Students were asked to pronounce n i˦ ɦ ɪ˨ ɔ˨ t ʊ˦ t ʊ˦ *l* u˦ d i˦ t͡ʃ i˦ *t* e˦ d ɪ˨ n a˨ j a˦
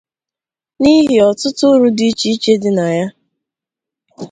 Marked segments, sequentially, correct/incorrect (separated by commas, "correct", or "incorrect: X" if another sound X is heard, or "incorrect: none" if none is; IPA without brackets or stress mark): incorrect: ɾ, incorrect: t͡ʃ